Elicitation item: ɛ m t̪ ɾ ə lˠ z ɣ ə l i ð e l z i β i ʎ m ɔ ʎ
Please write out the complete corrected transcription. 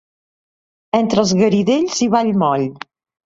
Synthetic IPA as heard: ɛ n t̪ ɾ ə lˠ z ɣ ə ɾ i ð e ʎ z i β a ʎ m ɔ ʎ